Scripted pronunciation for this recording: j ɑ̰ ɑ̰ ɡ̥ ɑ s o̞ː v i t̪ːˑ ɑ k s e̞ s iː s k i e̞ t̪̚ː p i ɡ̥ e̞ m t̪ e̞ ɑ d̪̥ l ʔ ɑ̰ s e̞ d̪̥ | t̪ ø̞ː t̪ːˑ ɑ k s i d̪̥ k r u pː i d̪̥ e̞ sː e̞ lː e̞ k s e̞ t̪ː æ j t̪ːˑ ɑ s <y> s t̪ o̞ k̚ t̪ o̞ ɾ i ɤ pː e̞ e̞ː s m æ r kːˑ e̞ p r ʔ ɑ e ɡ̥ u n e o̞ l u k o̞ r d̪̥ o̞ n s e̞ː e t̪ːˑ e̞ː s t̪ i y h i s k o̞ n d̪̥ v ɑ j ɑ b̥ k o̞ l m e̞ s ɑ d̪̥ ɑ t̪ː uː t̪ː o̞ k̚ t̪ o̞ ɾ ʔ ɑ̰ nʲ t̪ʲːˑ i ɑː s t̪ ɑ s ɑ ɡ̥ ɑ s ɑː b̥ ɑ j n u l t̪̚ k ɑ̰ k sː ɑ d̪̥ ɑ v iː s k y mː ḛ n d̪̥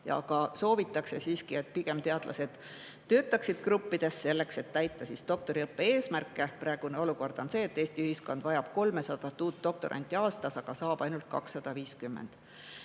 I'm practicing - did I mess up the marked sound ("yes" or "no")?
yes